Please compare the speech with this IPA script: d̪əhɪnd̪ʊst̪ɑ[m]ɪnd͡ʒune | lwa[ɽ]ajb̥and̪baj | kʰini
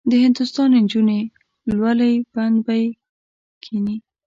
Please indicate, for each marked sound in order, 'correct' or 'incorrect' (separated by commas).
incorrect, incorrect